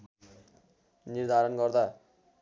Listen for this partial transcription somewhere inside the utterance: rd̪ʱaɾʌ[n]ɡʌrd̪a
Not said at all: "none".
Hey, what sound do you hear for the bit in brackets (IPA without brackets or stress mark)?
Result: n